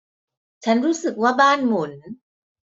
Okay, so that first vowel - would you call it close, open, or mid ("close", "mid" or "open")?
open